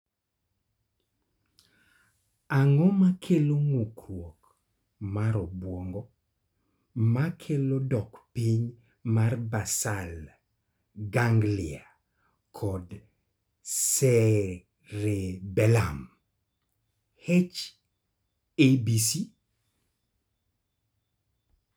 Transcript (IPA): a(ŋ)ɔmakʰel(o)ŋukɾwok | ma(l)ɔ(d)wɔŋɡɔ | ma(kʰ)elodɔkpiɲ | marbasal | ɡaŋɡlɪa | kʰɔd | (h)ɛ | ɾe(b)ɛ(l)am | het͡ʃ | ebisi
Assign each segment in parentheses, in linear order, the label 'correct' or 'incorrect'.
correct, correct, incorrect: ɾ, incorrect: b, correct, incorrect: s, correct, correct

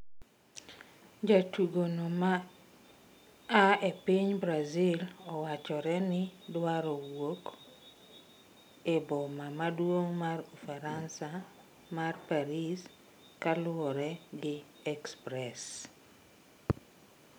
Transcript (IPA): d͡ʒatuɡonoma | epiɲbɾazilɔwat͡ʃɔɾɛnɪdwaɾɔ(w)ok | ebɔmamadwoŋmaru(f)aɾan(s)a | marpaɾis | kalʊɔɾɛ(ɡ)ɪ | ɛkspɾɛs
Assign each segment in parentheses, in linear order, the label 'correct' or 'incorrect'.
correct, correct, correct, correct

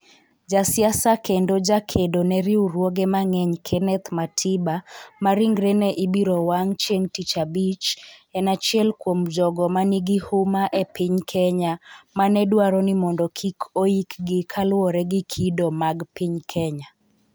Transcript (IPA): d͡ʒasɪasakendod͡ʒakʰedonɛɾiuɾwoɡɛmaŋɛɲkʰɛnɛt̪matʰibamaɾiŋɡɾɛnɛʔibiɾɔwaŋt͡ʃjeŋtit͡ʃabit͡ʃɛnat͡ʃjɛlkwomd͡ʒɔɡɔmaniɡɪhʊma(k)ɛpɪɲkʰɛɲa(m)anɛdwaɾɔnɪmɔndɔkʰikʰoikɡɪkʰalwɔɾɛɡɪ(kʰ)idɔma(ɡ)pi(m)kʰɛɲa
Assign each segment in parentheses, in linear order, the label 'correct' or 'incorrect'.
incorrect: ʔ, correct, correct, correct, incorrect: ɲ

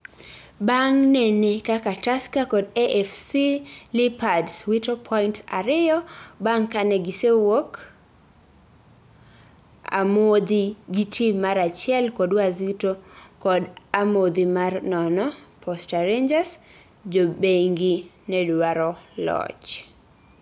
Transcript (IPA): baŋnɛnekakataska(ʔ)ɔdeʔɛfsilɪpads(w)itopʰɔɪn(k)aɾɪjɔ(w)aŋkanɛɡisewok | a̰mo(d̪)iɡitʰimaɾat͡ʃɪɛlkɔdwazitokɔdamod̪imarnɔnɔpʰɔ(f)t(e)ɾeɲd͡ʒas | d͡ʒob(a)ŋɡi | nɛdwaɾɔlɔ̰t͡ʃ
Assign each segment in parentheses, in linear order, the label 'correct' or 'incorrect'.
incorrect: k, correct, incorrect: t, incorrect: b, correct, incorrect: s, incorrect: a, incorrect: e

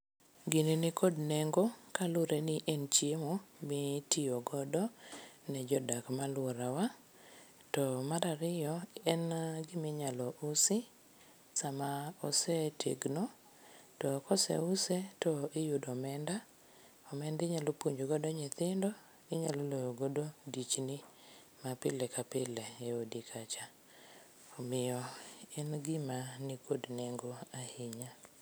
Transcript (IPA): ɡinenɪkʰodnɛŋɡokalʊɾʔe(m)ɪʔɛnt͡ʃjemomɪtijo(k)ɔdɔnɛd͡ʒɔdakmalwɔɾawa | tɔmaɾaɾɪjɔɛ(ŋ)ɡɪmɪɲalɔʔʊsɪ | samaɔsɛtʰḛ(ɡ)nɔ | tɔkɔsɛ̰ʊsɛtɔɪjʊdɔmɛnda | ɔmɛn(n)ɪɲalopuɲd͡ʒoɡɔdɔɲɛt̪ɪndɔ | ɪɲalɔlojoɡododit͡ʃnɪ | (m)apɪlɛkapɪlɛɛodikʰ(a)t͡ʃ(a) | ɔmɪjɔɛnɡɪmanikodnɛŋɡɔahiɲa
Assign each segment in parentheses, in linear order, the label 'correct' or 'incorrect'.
incorrect: n, incorrect: ɡ, incorrect: n, correct, incorrect: d, correct, correct, correct

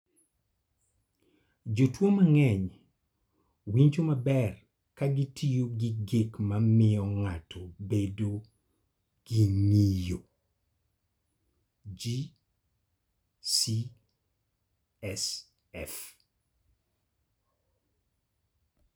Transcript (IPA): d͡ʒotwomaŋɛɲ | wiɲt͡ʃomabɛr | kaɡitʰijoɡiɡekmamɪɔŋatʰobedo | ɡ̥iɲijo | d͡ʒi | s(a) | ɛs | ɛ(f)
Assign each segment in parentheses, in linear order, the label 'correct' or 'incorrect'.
incorrect: i, correct

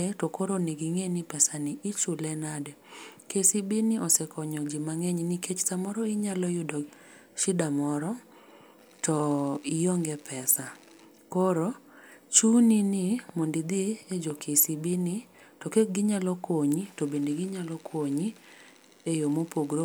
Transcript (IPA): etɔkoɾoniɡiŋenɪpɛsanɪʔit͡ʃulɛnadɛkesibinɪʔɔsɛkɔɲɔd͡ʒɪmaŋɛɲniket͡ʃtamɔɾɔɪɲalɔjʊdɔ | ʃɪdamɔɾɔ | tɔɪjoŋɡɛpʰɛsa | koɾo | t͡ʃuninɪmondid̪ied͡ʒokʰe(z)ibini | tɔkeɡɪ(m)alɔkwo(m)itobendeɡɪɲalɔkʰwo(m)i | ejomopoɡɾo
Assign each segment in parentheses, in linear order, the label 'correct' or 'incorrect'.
incorrect: s, incorrect: ɲ, incorrect: ɲ, incorrect: ɲ

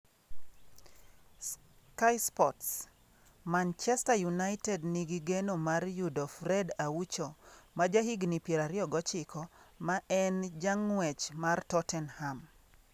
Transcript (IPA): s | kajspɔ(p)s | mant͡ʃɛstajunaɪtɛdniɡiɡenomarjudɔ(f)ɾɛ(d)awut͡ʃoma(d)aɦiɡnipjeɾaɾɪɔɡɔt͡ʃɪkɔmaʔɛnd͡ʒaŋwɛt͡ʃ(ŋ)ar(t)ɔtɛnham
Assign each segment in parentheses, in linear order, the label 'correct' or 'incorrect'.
incorrect: t, correct, correct, incorrect: d͡ʒ, incorrect: m, correct

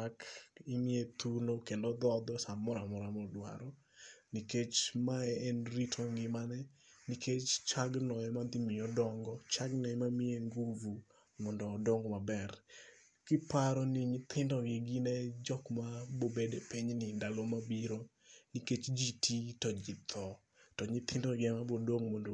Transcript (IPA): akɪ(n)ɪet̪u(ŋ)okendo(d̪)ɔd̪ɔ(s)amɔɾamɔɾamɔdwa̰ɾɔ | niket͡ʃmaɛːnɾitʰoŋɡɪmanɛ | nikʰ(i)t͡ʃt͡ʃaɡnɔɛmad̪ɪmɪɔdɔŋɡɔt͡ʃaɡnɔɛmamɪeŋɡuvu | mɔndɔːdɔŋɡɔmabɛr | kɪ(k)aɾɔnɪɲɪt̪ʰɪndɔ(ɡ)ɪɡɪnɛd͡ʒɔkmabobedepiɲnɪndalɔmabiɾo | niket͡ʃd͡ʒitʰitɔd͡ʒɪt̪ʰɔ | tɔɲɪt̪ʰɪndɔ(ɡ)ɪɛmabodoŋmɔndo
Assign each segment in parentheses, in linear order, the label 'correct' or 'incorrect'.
incorrect: m, incorrect: n, correct, correct, incorrect: e, incorrect: p, correct, correct

